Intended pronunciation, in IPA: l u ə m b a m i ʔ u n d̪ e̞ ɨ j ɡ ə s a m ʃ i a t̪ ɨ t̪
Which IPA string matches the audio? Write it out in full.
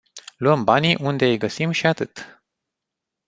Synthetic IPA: l u ə m b a n i ʔ u n d̪ e̞ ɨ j ɡ ə s i m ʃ i a t̪ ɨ t̪

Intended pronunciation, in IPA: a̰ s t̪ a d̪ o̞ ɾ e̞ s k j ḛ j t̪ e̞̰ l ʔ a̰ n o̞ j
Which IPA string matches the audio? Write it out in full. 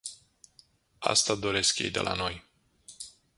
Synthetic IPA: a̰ s t̪ a d̪ o̞ ɾ e̞ s k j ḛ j d̪ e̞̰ l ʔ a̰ n o̞ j

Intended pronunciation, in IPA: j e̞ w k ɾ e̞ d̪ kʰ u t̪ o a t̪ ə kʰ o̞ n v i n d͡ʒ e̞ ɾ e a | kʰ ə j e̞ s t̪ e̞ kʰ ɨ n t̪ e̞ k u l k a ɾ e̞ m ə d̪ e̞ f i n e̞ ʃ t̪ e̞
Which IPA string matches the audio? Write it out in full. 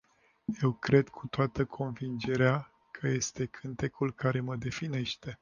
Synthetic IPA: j e̞ w k ɾ e̞ d̪ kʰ u t̪ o a t̪ ə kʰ o̞ n v i n d͡ʒ e̞ ɾ e a | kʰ ə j e̞ s t̪ e̞ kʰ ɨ n t̪ e̞ k u l k a ɾ e̞ m ə d̪ e̞ f i n e̞ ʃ t̪ e̞

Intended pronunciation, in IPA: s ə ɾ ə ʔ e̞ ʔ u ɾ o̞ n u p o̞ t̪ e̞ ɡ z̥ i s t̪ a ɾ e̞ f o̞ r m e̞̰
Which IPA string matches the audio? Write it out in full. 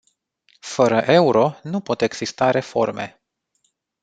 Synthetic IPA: f ə ɾ ə ʔ e̞ u ɾ o̞ n u p o̞ t̪ e̞ ɡ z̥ i s t̪ a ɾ e̞ f o̞ r m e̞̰

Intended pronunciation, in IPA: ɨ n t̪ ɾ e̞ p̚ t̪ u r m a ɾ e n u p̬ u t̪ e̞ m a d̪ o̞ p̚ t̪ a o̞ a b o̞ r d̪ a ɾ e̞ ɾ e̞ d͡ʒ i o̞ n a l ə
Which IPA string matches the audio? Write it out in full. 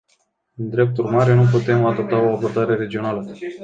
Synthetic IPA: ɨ n d̪ ɾ e̞ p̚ t̪ u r m a ɾ e n u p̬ u t̪ e̞ m a d̪ o̞ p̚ t̪ a o̞ a b o̞ r d̪ a ɾ e̞ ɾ e̞ d͡ʒ i o̞ n a l ə

